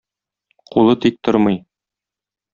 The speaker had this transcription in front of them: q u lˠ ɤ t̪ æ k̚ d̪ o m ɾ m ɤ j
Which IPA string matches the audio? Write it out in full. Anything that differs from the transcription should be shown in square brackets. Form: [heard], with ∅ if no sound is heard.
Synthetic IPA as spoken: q u lˠ ɤ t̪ [i] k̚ [t̪] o [∅] ɾ m ɤ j